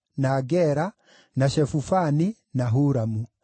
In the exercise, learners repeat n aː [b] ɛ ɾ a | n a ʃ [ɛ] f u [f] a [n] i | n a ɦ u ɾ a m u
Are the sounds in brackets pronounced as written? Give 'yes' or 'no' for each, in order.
no, yes, yes, yes

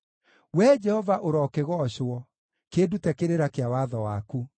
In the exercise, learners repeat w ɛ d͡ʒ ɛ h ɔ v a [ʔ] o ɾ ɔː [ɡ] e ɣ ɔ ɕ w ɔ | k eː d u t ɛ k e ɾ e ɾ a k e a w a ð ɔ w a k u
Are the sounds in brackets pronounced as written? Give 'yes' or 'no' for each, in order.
yes, no

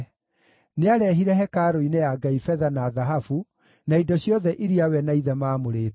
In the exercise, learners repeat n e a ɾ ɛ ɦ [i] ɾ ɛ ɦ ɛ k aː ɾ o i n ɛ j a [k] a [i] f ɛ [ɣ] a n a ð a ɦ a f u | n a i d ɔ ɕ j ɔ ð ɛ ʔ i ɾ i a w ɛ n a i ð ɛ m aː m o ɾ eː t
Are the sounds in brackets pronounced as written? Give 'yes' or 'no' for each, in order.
yes, no, yes, no

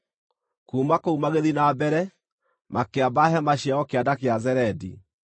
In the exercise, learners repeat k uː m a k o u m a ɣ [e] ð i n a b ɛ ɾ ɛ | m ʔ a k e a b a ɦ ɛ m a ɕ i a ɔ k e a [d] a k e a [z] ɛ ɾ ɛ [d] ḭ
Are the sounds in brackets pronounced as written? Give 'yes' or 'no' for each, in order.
yes, yes, yes, yes

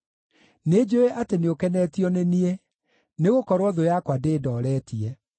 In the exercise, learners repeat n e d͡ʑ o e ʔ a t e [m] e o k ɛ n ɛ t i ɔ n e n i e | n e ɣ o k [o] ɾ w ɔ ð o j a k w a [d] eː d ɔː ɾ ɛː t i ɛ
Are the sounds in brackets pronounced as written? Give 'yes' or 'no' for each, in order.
no, no, yes

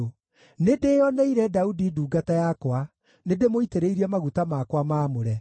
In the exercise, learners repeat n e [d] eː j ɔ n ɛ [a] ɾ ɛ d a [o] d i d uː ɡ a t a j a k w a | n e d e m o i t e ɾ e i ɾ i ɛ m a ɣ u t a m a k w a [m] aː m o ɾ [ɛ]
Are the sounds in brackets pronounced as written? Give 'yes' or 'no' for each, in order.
yes, no, no, yes, yes

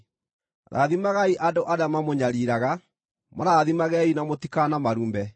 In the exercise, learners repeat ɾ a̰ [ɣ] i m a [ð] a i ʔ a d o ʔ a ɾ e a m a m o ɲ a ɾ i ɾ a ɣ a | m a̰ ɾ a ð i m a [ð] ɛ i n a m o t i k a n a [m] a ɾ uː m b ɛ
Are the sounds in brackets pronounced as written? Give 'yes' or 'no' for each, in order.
no, no, no, yes

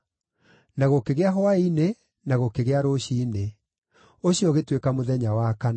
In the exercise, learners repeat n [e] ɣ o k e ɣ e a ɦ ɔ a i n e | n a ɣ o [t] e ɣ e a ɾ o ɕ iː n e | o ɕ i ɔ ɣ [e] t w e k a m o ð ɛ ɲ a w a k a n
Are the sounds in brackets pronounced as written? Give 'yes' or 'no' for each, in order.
no, no, yes

